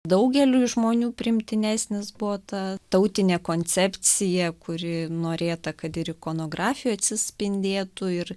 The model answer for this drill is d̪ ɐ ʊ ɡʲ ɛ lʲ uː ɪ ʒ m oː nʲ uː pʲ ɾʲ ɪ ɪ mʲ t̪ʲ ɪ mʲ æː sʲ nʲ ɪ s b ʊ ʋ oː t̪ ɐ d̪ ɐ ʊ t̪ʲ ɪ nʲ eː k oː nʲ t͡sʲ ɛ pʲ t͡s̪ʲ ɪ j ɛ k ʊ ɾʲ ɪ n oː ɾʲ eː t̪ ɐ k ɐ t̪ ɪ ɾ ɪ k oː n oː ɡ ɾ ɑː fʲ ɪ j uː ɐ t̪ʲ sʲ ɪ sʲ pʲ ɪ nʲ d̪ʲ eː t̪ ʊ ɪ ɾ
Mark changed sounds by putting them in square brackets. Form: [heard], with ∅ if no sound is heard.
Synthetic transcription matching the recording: d̪ ɐ ʊ ɡʲ ɛ lʲ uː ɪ ʒ m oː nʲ uː pʲ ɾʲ ɪ ɪ mʲ t̪ʲ ɪ [nʲ] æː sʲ nʲ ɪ s b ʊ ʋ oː t̪ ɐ [t̪] ɐ ʊ t̪ʲ ɪ nʲ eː k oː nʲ t͡sʲ ɛ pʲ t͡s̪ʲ ɪ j ɛ k ʊ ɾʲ ɪ n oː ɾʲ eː t̪ ɐ k ɐ t̪ ɪ ɾ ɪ k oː n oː ɡ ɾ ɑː fʲ ɪ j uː ɐ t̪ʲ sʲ ɪ sʲ pʲ ɪ nʲ d̪ʲ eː t̪ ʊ ɪ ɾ